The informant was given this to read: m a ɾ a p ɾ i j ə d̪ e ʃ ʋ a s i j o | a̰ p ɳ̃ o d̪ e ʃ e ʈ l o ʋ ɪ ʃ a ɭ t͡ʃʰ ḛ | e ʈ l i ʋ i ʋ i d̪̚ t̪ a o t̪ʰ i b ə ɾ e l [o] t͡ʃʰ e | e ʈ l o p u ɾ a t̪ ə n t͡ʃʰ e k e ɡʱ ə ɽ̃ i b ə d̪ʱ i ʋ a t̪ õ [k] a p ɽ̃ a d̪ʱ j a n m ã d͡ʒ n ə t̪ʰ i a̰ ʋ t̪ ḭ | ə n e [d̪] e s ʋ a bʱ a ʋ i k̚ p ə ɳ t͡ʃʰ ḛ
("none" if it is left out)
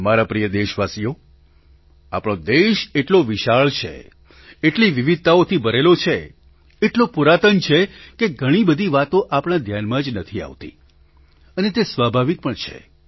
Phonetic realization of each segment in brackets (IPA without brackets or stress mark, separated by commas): o, ʔ, t̪